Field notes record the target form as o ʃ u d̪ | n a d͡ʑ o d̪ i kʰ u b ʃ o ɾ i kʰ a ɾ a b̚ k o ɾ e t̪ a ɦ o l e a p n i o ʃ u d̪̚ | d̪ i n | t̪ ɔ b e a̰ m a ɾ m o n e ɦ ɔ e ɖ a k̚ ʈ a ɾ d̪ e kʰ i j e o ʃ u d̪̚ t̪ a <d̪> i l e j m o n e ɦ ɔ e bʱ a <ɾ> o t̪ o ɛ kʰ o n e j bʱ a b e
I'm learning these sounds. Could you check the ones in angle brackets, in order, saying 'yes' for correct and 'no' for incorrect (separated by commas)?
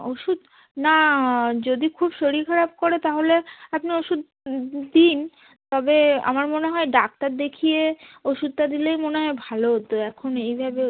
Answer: yes, no